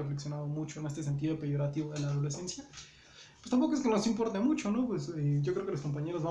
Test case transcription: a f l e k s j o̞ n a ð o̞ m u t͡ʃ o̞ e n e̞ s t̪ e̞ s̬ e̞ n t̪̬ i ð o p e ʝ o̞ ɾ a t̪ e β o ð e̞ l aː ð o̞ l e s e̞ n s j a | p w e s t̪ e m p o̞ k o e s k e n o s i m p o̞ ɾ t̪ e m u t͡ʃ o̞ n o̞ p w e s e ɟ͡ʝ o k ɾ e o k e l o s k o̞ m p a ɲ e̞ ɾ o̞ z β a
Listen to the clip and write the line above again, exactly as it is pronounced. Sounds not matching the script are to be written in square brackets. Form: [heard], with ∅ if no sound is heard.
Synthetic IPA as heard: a f l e k s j o̞ n a ð o̞ m u t͡ʃ o̞ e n e̞ s t̪ e̞ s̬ e̞ n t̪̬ i ð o p e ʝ o̞ ɾ a t̪ [i] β o ð e̞ l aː ð o̞ l e s e̞ n s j a | p w e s t̪ [a] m p o̞ k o e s k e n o s i m p o̞ ɾ t̪ e m u t͡ʃ o̞ n o̞ p w e s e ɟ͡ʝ o k ɾ e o k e l o s k o̞ m p a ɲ e̞ ɾ o̞ z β a